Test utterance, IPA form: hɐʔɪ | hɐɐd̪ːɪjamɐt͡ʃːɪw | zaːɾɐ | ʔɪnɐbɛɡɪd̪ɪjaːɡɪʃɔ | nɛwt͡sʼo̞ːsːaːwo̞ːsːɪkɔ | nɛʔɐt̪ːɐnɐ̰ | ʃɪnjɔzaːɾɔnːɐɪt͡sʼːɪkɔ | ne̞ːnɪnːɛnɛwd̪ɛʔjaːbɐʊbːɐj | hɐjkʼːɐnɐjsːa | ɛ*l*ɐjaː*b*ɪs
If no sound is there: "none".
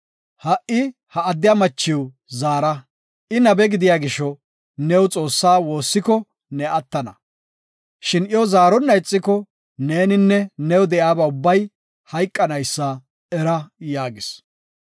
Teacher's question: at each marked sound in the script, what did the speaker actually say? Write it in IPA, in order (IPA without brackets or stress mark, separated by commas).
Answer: ɾ, ɡ